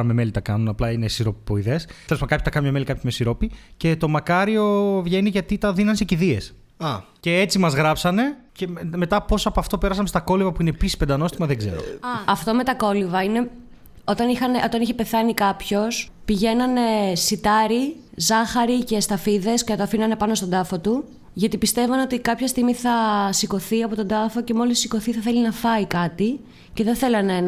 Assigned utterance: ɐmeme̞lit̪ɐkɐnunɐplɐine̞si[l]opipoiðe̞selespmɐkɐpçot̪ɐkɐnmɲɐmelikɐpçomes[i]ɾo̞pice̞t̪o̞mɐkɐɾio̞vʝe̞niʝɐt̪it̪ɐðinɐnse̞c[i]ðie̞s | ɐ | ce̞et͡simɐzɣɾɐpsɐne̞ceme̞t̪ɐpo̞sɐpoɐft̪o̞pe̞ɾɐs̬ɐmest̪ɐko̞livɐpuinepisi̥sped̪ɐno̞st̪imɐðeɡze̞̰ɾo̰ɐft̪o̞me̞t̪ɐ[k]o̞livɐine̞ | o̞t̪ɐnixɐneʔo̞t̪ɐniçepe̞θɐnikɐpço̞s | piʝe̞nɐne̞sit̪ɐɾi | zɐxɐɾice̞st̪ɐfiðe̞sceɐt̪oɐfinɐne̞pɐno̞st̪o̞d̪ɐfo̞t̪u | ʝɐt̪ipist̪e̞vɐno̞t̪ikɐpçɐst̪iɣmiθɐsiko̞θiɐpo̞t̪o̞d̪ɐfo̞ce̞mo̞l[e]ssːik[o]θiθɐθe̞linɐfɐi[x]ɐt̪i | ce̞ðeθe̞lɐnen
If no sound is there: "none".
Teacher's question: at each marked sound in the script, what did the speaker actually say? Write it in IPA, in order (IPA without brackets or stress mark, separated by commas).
ɾ, i, i, k, i, o, k